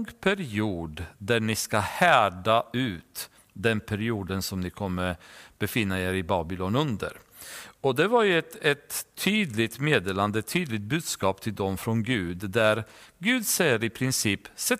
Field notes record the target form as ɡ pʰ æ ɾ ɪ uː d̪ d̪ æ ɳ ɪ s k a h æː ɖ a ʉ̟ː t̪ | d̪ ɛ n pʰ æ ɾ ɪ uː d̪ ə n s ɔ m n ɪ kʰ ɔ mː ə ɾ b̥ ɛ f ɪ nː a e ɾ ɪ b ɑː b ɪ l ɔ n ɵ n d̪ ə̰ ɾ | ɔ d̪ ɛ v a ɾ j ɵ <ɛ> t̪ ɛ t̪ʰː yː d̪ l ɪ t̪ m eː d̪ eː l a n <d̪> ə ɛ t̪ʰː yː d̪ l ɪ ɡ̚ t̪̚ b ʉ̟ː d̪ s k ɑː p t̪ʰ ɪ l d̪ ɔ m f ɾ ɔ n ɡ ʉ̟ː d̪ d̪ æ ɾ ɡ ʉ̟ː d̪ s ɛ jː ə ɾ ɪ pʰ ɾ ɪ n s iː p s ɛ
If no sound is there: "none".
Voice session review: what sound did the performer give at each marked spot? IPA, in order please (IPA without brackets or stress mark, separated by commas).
ɛ, d̪